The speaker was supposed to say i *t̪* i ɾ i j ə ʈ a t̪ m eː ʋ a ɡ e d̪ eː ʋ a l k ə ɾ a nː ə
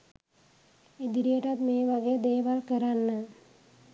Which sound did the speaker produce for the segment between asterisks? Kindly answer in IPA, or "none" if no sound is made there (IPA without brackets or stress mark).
d̪